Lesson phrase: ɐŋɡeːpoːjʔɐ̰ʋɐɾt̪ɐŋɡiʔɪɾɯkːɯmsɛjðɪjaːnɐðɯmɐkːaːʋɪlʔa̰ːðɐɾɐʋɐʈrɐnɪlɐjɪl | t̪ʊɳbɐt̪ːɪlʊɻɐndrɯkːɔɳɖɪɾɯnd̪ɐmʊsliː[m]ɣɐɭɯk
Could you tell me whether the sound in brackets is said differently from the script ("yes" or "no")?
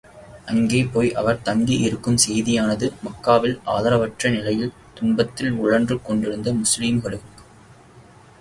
no